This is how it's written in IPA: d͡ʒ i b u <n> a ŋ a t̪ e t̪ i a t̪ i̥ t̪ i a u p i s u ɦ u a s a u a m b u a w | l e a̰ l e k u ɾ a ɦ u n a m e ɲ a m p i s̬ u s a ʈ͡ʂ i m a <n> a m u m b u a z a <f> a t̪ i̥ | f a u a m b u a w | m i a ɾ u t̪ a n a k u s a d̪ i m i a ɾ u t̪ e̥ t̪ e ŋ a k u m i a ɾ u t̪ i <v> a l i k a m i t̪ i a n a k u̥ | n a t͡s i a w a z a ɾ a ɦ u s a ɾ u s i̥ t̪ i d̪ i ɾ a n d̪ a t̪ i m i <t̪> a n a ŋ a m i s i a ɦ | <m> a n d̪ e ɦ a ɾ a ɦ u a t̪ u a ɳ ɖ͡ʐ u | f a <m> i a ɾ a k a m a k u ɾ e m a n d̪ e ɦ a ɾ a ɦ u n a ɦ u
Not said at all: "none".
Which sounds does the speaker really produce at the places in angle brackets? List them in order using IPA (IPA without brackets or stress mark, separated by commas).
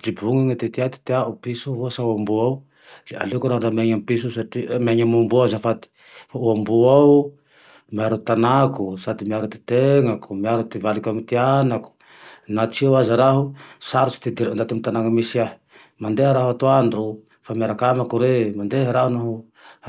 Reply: ŋ, ɲ, f, v, t̪, m, m